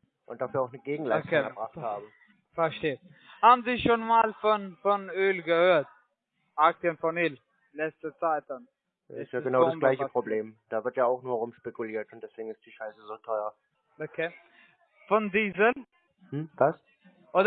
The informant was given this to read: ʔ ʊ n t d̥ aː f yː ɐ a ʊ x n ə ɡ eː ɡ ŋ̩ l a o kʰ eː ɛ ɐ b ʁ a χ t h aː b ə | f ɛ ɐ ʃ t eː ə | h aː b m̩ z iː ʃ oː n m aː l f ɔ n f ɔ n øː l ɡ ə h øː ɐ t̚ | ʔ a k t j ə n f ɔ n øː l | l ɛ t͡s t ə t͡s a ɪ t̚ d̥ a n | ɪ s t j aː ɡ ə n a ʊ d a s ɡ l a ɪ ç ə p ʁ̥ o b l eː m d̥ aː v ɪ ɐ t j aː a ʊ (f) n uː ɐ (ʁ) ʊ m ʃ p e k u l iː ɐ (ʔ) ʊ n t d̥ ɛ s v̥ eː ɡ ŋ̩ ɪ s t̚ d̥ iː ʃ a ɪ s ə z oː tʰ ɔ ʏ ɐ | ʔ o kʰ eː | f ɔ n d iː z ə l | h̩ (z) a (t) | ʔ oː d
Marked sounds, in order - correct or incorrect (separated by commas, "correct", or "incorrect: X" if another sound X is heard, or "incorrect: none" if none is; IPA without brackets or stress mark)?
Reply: incorrect: x, correct, incorrect: t, incorrect: v, incorrect: s